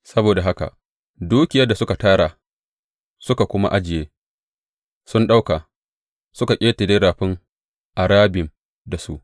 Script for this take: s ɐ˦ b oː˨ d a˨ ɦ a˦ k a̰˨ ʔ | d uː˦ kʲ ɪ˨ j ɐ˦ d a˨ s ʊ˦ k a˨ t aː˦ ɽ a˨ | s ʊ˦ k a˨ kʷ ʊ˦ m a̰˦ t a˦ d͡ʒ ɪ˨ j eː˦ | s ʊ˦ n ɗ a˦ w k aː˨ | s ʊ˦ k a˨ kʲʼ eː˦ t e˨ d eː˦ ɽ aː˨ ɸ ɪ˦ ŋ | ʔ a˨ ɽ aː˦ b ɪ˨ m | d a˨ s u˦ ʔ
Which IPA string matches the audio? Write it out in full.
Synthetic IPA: s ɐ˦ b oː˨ d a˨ ɦ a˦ k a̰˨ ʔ | d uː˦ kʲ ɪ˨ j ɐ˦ d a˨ s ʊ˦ k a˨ t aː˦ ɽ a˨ | s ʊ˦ k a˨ kʷ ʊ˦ m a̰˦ ʔ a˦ d͡ʒ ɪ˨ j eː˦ | s ʊ˦ n ɗ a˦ w k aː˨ | s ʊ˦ k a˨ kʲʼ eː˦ t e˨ d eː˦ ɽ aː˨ ɸ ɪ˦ ŋ | ʔ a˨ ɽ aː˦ b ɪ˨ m | d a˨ s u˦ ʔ